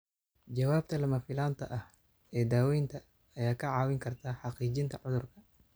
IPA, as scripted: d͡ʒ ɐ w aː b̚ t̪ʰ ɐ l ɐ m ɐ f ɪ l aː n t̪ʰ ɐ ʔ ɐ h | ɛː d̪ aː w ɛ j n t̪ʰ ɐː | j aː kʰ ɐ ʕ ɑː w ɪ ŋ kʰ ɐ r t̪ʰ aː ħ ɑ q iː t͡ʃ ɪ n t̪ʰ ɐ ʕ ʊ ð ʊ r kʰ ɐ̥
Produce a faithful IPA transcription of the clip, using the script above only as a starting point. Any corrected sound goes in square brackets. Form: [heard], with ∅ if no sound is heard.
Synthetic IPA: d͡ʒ ɐ w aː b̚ t̪ʰ ɐ l ɐ m ɐ f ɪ l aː n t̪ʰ ɐ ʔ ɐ h | ɛː d̪ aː w ɛ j n t̪ʰ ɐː | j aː kʰ ɐ ʕ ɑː w ɪ ŋ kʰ ɐ r t̪ʰ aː ħ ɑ q iː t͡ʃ ɪ n t̪ʰ ɐ ʕ ʊ ð ʊ r kʰ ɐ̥

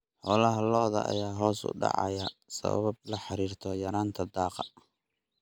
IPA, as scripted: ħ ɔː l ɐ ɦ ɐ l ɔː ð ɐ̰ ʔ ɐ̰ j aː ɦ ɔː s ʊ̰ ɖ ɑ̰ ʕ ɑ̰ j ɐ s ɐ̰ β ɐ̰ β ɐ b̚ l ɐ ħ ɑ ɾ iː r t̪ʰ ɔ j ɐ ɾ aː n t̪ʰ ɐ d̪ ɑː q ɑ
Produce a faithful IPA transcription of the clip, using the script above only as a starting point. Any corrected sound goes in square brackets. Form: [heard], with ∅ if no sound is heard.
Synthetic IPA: ħ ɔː l ɐ ɦ ɐ l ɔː ð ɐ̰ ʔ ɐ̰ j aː ɦ ɔː s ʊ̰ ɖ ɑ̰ ʕ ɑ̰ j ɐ s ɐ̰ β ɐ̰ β ɐ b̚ l ɐ ħ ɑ ɾ iː r t̪ʰ ɔ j ɐ ɾ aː n t̪ʰ ɐ d̪ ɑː q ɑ

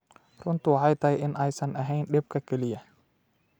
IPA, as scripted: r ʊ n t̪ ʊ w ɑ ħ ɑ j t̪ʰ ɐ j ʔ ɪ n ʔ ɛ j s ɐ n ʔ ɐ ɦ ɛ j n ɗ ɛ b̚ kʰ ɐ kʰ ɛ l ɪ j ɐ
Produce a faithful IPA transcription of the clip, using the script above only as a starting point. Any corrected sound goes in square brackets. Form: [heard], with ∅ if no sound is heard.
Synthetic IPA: r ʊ n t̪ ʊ w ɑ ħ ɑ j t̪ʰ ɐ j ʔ ɪ n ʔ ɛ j s ɐ n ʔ ɐ ɦ ɛ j n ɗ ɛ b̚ kʰ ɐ kʰ ɛ l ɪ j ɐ

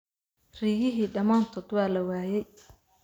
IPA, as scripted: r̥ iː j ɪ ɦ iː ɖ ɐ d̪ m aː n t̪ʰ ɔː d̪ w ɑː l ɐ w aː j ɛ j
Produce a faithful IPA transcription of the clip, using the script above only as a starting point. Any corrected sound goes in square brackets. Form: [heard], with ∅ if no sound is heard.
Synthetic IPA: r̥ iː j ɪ ɦ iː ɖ ɐ [∅] m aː n t̪ʰ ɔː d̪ w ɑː l ɐ w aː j ɛ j

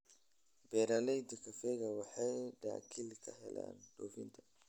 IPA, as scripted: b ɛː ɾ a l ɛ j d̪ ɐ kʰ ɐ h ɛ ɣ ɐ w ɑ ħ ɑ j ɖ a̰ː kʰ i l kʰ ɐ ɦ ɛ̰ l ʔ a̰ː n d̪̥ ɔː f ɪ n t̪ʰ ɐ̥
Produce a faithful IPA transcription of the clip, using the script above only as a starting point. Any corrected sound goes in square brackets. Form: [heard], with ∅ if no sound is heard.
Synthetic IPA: b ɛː ɾ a l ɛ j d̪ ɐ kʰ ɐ [f] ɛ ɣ ɐ w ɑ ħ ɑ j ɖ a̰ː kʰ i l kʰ ɐ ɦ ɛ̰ l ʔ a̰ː n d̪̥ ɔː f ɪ n t̪ʰ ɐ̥

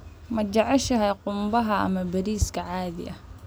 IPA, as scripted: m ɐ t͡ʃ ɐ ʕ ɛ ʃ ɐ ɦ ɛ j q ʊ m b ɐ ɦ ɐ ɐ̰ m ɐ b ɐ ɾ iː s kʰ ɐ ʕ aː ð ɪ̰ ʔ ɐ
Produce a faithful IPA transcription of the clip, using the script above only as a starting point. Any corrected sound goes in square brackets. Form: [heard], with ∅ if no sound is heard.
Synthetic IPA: m ɐ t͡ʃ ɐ ʕ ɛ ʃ ɐ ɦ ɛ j q ʊ m b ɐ ɦ ɐ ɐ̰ m ɐ b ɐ ɾ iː s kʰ ɐ ʕ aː ð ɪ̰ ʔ ɐ

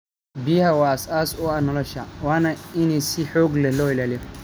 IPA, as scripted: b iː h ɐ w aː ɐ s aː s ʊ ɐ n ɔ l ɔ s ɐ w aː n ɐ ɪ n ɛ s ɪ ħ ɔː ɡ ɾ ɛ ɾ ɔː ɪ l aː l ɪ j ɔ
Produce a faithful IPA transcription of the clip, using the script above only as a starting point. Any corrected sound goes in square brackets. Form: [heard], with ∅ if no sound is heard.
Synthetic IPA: b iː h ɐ w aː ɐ s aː s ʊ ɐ n ɔ l ɔ [ʃ] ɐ w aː n ɐ ɪ n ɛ s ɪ ħ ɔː ɡ [l] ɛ [l] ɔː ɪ l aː l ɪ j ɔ

